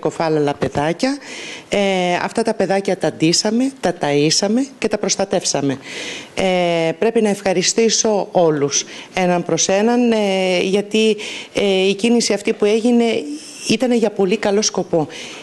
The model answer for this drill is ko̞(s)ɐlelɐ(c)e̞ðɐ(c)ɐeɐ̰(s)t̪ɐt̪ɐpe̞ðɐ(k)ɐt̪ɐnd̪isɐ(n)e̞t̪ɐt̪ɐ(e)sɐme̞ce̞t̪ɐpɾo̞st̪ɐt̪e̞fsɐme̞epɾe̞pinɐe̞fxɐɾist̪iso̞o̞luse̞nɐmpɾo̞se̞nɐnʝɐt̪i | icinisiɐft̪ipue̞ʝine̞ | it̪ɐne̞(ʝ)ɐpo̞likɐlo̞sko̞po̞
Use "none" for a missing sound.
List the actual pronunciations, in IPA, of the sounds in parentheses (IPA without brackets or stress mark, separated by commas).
f, p, c, f, c, m, i, ʝ